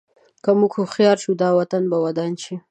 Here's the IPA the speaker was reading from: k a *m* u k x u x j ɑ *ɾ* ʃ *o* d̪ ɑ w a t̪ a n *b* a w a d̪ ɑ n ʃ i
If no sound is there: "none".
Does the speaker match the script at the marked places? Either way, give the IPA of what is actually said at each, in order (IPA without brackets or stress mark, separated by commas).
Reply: m, ɾ, u, b